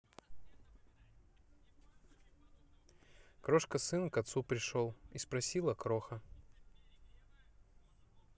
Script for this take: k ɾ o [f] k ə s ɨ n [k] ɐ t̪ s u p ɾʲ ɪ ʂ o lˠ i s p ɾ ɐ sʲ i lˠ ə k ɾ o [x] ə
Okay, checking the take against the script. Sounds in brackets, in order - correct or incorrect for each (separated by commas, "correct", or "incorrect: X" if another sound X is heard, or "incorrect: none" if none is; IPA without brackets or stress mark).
incorrect: ʂ, correct, correct